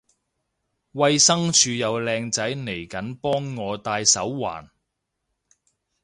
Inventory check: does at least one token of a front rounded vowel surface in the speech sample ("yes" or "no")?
yes